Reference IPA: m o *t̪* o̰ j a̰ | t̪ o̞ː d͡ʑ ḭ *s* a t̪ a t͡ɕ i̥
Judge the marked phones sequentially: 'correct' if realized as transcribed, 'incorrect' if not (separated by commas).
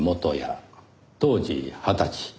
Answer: correct, incorrect